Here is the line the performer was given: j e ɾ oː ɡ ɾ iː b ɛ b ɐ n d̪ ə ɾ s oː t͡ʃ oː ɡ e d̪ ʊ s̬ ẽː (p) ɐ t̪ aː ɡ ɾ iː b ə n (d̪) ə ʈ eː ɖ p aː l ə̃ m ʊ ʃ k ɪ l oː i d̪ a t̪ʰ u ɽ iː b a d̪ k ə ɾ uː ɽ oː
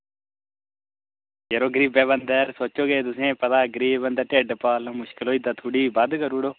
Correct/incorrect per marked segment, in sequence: correct, correct

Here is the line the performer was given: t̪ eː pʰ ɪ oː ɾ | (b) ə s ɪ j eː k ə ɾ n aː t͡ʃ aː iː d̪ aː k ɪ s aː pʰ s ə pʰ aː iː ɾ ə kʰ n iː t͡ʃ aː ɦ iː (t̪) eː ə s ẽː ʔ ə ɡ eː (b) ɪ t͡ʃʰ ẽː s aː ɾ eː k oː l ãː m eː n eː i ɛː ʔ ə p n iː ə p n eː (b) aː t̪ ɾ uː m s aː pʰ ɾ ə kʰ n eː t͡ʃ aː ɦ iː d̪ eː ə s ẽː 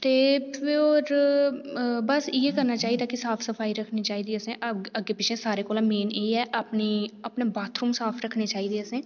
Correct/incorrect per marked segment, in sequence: correct, incorrect: d̪, incorrect: p, correct

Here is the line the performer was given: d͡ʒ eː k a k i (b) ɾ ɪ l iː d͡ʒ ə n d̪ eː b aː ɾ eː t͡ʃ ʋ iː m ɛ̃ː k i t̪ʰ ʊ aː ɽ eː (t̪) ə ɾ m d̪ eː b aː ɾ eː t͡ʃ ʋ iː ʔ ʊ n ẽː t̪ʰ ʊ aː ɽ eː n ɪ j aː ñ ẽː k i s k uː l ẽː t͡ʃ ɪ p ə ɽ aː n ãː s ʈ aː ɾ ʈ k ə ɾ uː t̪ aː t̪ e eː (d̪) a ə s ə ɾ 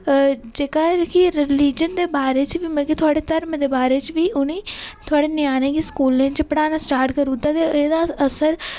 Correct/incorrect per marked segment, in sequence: incorrect: none, correct, correct

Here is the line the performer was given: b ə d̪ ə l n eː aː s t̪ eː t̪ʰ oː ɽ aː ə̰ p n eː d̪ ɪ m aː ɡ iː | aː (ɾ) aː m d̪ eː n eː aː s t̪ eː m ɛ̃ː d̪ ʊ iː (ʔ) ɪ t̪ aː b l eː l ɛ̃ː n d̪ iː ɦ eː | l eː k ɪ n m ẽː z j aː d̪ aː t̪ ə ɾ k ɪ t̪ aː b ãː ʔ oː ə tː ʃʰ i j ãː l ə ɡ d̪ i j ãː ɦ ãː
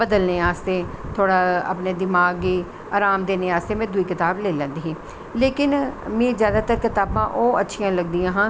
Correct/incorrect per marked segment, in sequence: correct, incorrect: k

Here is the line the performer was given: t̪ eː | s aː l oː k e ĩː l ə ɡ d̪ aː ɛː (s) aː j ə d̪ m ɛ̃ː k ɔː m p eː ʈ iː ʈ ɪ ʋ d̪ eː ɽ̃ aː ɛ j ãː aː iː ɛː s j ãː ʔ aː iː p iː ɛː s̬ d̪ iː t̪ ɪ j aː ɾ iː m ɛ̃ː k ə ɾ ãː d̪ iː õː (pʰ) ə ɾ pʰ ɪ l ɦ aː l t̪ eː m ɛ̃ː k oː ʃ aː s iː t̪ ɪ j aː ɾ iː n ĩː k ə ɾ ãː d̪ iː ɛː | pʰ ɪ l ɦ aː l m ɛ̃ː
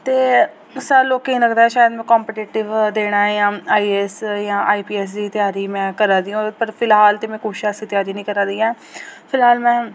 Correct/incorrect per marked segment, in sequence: incorrect: ʃ, incorrect: p

